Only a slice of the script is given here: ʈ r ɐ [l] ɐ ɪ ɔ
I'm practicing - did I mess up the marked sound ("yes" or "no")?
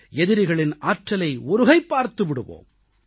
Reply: no